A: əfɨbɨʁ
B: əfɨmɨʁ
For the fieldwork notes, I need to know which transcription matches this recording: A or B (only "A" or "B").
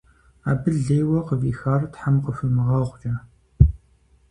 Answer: B